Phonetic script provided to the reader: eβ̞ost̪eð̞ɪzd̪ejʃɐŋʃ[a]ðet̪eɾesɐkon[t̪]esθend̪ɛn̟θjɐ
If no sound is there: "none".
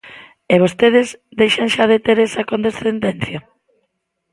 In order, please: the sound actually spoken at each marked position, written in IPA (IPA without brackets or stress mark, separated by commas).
a, d̪